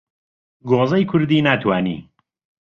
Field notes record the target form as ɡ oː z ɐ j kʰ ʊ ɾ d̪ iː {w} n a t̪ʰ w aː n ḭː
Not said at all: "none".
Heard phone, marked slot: none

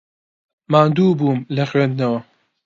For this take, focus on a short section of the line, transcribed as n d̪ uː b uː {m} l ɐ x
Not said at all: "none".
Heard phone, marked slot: m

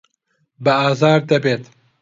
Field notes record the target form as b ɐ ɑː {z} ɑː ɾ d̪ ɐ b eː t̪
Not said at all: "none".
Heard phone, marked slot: z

